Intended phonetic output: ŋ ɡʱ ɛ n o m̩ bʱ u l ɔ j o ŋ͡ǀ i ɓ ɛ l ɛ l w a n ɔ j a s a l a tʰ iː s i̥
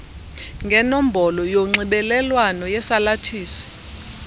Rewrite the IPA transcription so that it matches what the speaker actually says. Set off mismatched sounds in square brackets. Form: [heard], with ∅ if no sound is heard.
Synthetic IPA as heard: ŋ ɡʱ ɛ n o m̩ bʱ [ɔ] l ɔ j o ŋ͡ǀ i ɓ ɛ l ɛ l w a n ɔ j [ɛ] s a l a tʰ iː s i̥

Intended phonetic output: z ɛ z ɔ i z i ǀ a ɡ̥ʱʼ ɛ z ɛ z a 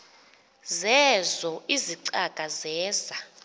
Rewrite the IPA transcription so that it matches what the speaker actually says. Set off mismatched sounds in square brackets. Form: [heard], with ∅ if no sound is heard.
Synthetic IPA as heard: z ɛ z ɔ i z i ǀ a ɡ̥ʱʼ [a] z [ɛː] z a

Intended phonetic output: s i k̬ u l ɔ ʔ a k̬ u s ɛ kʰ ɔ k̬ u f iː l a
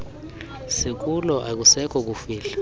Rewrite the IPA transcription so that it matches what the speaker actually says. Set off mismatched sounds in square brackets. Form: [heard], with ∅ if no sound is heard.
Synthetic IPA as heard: s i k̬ u l ɔ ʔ a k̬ u s ɛ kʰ ɔ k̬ u f iː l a

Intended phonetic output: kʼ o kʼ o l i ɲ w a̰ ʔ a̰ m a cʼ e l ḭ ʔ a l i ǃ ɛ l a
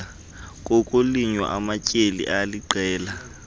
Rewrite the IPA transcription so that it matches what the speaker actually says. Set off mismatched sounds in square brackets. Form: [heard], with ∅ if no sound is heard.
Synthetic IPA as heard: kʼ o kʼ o l i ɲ w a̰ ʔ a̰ m a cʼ e l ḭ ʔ a l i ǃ [ɛː] l a

